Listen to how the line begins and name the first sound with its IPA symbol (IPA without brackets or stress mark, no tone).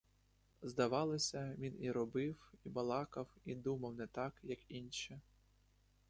z